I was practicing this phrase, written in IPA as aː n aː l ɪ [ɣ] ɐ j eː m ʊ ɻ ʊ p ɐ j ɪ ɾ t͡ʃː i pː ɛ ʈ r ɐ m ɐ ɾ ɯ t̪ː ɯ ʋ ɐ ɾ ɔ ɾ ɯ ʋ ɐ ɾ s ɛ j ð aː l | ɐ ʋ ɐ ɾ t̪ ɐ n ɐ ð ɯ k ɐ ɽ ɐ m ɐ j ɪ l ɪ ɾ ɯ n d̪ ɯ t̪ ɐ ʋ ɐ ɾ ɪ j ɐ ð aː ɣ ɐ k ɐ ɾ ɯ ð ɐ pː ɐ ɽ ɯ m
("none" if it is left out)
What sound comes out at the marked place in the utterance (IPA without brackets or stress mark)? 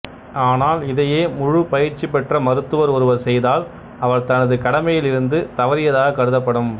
ð